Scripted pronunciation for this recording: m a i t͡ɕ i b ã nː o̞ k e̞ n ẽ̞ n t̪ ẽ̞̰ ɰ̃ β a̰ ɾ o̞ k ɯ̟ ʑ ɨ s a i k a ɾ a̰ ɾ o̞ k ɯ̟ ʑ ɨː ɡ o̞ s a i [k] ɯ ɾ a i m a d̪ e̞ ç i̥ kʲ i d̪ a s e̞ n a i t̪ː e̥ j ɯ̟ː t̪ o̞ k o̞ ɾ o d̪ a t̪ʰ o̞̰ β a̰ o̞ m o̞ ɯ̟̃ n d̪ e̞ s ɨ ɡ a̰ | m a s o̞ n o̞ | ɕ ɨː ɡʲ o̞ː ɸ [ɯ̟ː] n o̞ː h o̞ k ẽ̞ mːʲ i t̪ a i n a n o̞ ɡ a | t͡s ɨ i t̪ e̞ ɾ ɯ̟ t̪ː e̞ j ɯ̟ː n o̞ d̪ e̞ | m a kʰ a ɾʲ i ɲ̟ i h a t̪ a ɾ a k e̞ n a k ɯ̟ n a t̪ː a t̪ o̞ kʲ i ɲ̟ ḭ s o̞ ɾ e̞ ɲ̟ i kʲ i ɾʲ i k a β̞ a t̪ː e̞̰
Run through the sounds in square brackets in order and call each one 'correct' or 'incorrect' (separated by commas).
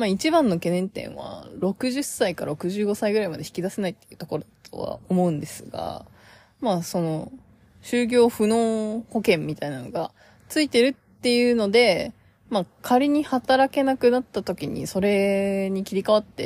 incorrect, incorrect